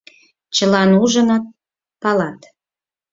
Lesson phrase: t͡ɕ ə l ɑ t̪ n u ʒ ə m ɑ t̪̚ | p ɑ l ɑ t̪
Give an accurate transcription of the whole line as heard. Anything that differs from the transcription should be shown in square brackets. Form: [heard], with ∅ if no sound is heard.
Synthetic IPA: t͡ɕ ə l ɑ [∅] n u ʒ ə [n] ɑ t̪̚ | p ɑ l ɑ t̪